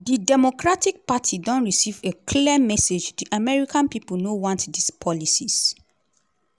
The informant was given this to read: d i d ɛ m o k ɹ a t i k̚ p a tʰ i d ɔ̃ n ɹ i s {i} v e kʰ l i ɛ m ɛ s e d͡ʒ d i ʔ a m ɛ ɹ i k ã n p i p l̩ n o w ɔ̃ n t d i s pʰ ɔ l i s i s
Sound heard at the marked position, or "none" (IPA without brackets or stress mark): i